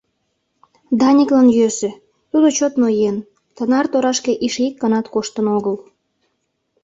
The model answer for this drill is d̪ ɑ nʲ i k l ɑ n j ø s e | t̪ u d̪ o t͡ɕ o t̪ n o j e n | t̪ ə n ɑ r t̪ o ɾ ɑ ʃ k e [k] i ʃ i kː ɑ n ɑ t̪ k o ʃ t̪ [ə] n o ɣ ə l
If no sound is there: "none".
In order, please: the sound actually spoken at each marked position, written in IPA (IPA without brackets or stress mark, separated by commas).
ʔ, ə